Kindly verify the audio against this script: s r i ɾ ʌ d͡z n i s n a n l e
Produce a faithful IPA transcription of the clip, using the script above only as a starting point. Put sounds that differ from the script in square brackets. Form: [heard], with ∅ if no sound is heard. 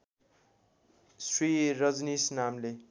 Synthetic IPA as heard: s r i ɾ ʌ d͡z n i s n a [m] l e